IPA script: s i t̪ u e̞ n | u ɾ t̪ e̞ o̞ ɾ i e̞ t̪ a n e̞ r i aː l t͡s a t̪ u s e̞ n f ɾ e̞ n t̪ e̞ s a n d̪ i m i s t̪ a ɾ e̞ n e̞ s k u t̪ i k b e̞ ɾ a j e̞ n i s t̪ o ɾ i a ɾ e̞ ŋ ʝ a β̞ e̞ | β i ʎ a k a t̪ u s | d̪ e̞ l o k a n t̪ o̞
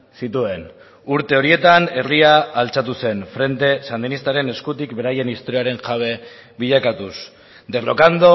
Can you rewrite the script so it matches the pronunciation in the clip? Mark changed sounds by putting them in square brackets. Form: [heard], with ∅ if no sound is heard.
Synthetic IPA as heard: s i t̪ u e̞ n | u ɾ t̪ e̞ o̞ ɾ i e̞ t̪ a n e̞ r i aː l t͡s a t̪ u s e̞ n f ɾ e̞ n t̪ e̞ s a n d̪ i [n] i s t̪ a ɾ e̞ n e̞ s k u t̪ i k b e̞ ɾ a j e̞ n i s t̪ o ɾ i a ɾ e̞ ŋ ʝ a β̞ e̞ | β i ʎ a k a t̪ u s | d̪ e̞ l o k a n [d̪] o̞